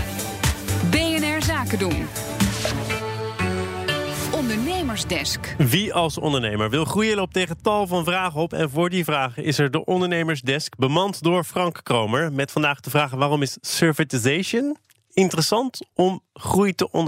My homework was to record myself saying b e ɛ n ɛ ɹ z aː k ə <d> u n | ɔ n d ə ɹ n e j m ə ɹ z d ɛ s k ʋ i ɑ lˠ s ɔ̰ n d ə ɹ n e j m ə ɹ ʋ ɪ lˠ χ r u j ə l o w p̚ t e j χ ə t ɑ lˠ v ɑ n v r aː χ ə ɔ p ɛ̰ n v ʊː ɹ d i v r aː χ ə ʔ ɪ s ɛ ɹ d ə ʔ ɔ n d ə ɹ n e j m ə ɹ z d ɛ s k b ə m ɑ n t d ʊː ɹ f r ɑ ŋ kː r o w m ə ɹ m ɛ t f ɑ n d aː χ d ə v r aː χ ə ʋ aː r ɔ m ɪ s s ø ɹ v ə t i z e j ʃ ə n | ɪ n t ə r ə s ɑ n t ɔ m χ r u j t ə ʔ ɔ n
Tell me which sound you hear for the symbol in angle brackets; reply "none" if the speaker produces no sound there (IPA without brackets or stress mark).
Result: d